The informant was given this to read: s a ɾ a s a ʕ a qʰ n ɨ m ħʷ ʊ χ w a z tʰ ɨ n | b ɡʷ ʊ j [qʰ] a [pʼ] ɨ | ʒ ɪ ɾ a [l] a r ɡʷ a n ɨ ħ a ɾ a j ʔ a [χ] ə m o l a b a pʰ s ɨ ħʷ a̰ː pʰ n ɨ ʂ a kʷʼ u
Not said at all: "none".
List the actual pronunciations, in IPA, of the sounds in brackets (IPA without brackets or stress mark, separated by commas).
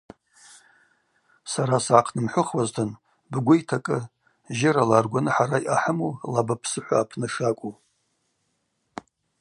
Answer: tʰ, kʼ, l, ħ